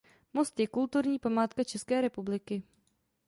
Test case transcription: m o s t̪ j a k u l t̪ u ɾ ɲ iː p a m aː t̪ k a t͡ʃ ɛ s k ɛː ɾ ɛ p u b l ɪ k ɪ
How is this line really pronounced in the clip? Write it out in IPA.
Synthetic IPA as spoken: m o s t̪ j ɛ k u l t̪ u ɾ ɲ iː p a m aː t̪ k a t͡ʃ ɛ s k ɛː ɾ ɛ p u b l ɪ k ɪ